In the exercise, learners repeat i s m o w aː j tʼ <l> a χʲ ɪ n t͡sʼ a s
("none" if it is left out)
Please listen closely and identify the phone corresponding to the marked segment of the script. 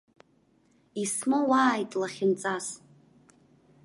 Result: l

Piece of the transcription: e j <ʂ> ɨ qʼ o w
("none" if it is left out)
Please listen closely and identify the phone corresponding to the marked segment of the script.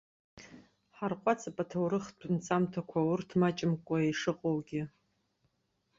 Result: ʂ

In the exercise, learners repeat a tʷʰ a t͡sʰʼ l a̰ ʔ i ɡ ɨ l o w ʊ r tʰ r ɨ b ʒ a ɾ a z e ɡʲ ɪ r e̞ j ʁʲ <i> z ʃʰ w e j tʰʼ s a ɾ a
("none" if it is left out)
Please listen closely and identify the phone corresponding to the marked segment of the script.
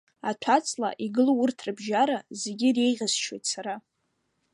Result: a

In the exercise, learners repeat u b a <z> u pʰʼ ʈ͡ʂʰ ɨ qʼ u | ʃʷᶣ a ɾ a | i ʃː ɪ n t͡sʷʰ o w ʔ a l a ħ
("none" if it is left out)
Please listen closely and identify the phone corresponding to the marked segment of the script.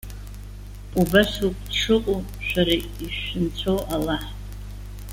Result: s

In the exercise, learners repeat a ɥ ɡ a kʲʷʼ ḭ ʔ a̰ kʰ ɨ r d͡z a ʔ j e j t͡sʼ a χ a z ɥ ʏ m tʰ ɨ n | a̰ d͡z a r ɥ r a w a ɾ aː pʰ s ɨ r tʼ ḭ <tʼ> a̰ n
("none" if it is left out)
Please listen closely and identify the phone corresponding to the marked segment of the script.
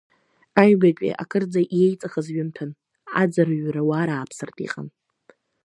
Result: qʼ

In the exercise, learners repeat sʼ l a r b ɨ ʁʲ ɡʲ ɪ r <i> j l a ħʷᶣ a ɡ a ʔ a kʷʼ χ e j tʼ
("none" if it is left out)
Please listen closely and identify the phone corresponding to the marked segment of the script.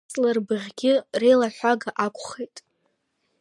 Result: e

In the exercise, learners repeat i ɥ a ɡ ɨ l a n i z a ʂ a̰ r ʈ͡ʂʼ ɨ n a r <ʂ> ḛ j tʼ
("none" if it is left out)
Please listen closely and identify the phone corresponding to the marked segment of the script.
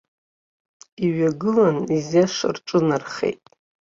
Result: χ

